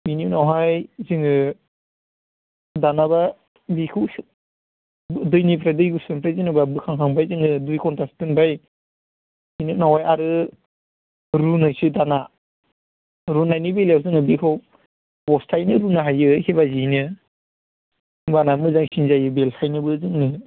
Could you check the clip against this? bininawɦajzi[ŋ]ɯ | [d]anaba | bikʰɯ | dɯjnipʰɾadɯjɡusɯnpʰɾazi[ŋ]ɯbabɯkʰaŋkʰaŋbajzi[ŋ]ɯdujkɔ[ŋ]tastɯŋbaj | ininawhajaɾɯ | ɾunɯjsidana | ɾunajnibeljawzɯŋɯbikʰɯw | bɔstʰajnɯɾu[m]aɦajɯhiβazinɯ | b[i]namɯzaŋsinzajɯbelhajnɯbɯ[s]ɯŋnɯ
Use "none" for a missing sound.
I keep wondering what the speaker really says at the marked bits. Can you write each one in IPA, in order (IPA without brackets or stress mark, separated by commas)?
ŋ, d, n, ŋ, n, n, a, z